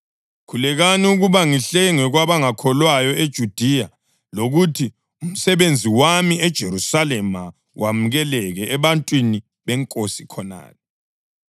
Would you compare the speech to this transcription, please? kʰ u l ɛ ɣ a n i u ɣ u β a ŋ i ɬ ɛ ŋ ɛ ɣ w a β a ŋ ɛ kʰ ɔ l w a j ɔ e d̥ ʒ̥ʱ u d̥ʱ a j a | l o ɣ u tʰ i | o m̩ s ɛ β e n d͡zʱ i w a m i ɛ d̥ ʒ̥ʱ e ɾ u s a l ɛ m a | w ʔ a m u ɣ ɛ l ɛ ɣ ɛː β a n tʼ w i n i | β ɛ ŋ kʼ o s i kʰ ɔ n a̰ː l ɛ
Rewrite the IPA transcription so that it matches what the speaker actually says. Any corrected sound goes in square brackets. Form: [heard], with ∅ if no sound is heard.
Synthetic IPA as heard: kʰ u l ɛ ɣ a n i u ɣ u β a ŋ i ɬ ɛ ŋ ɛ ɣ w a β a ŋ [a] kʰ ɔ l w a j ɔ e d̥ ʒ̥ʱ u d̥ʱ [i] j a | l o ɣ u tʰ i | [u] m̩ s ɛ β e n d͡zʱ i w a m i ɛ d̥ ʒ̥ʱ e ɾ u s a l ɛ m a | w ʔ a m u ɣ ɛ l ɛ ɣ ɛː β a n tʼ w i n i | β ɛ ŋ kʼ o s i kʰ ɔ n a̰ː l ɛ